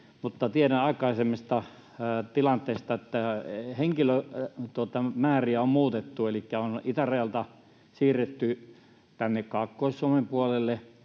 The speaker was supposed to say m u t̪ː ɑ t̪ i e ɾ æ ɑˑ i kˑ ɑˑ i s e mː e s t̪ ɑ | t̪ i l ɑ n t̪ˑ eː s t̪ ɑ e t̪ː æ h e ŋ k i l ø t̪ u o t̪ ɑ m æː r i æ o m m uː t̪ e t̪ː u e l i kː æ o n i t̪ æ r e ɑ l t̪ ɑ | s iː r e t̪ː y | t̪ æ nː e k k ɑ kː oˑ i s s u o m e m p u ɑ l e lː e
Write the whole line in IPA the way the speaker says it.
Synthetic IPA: m u t̪ː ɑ t̪ i e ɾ æ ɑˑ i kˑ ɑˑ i s e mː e s t̪ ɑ | t̪ i l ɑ n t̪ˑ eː s t̪ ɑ e t̪ː æ h e ŋ k i l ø t̪ u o t̪ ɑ m æː r i æ o m m uː t̪ e t̪ː u e l i kː æ o n i t̪ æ r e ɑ l t̪ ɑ | s iː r e t̪ː y | t̪ æ nː e k k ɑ kː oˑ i s s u o m e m p u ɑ l e lː e